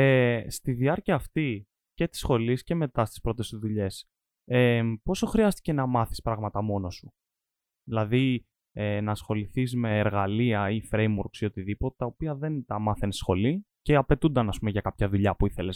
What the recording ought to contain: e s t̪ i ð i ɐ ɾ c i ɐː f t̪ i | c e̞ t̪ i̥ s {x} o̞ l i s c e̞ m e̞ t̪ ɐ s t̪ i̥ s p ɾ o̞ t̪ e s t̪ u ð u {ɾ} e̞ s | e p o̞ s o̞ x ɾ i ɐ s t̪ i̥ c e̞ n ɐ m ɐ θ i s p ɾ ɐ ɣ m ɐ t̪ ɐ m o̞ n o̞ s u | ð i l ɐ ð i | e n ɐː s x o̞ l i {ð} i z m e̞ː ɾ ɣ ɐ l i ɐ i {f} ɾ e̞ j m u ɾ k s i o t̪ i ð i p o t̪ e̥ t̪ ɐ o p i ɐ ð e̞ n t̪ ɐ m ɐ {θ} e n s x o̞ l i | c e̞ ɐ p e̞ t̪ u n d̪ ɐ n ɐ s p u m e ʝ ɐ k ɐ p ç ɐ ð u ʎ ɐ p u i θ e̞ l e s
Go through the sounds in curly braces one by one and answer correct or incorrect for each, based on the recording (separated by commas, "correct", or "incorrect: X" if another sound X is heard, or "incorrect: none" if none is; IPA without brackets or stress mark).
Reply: correct, incorrect: ʎ, incorrect: θ, correct, correct